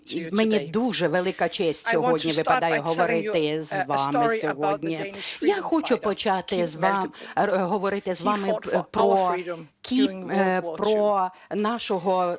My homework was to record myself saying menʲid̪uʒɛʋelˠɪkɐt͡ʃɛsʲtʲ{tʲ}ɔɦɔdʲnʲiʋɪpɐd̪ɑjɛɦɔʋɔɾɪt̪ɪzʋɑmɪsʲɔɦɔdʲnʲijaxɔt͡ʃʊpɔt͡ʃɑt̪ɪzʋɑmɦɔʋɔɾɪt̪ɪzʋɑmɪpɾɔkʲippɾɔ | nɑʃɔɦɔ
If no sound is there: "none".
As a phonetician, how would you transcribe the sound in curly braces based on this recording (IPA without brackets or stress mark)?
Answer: sʲ